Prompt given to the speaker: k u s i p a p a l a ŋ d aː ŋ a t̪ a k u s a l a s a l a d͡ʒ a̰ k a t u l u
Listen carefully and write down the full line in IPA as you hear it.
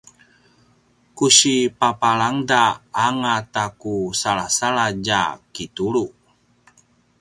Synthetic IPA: k u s i p a p a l a ŋ d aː ŋ a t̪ a k u s a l a s a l a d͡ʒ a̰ k i t u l u